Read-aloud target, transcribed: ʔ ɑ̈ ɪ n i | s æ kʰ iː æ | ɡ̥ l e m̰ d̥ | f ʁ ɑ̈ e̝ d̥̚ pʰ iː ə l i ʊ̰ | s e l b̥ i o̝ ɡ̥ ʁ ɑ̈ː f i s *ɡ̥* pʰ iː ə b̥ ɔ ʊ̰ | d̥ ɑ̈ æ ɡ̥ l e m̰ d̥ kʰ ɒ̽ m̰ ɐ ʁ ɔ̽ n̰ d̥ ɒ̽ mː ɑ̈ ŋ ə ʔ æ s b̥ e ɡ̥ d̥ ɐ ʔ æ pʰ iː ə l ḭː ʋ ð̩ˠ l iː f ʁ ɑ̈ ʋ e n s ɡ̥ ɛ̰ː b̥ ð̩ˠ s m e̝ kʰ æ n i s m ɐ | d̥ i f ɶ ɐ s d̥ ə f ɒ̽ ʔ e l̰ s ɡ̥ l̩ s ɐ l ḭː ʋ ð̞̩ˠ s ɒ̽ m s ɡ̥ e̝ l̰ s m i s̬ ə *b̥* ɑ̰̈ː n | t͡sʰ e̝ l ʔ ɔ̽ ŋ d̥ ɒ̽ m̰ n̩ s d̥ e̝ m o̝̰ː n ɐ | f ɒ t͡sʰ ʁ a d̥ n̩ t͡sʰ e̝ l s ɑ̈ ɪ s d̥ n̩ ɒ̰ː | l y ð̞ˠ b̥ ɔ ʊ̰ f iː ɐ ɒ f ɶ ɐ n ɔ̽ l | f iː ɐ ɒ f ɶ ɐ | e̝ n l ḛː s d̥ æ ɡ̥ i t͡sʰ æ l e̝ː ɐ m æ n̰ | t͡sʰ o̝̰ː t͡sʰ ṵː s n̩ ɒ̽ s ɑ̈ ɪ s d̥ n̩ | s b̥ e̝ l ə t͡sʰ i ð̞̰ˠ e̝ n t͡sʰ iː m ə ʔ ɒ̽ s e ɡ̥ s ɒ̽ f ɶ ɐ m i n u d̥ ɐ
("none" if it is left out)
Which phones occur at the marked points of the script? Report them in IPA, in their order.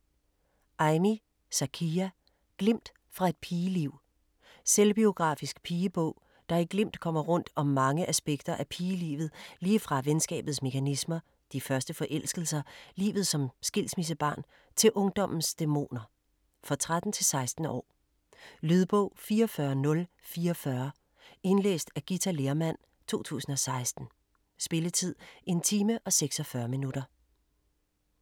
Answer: ɡ̥, b̥

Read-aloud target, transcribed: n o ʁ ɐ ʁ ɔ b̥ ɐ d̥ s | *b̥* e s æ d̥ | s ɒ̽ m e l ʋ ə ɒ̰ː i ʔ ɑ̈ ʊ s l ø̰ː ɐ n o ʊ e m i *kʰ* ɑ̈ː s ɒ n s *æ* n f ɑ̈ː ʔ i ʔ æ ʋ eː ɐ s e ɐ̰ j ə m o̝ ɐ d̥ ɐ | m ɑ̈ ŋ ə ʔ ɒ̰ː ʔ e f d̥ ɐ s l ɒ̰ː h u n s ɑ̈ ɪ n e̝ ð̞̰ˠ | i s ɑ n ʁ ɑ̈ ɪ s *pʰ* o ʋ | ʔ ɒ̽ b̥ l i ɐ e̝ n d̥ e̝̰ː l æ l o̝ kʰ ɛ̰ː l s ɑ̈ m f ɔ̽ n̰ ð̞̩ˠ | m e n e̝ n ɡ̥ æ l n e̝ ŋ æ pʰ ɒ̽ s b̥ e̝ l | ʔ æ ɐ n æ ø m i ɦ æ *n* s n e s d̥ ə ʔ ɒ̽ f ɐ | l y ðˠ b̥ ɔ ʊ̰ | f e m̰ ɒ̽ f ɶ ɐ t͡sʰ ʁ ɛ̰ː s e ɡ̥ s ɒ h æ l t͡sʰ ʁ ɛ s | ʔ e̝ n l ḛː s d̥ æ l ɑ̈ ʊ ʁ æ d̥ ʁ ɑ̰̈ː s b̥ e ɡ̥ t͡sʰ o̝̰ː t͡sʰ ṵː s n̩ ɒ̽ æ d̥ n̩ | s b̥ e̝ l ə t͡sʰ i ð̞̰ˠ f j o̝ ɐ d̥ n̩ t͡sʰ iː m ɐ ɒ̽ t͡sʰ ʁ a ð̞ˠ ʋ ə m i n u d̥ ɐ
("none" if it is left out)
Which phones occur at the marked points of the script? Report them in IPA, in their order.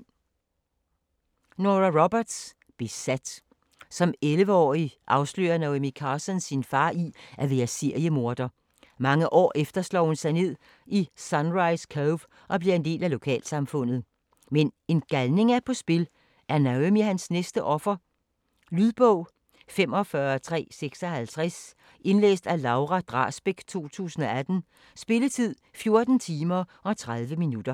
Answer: b̥, kʰ, i, kʰ, n

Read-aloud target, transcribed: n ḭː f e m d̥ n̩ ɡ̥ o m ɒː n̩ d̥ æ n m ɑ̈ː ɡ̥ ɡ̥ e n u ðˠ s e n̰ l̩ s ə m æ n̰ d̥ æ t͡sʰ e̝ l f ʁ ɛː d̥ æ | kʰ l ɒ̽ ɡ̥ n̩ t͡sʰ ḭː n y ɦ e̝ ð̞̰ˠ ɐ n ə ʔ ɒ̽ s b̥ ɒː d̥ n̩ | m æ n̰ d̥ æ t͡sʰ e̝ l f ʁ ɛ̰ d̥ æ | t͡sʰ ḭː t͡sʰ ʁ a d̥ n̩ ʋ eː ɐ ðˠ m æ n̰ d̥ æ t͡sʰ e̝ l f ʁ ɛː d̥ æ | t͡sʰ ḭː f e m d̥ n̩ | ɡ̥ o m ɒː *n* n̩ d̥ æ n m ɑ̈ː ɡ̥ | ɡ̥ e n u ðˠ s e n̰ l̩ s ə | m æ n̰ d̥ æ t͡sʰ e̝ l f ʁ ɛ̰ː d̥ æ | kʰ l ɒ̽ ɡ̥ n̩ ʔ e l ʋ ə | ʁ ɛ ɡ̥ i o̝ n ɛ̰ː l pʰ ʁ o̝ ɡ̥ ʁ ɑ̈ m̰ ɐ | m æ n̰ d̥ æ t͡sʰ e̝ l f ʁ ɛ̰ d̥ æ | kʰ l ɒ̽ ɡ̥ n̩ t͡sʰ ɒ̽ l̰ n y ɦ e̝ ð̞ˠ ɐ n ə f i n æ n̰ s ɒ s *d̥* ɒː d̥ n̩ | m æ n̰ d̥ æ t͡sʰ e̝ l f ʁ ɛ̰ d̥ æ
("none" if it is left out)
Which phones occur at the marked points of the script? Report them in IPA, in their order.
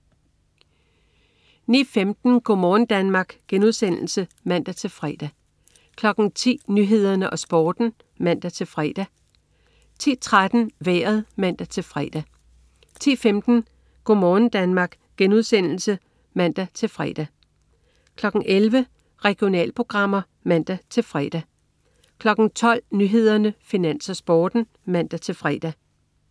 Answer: n, b̥

